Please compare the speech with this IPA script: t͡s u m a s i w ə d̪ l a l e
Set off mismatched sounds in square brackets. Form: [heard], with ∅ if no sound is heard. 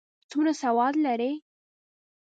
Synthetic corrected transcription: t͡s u [n] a s [a] w [ɑ] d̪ l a [ɾ] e